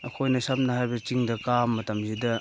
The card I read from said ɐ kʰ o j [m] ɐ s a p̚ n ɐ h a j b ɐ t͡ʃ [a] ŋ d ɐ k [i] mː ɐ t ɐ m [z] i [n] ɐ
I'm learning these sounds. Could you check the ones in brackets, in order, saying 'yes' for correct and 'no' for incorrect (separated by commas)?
no, no, no, yes, no